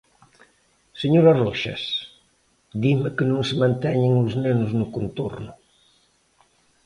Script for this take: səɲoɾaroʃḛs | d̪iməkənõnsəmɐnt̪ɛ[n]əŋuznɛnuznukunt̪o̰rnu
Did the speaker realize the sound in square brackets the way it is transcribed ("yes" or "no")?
no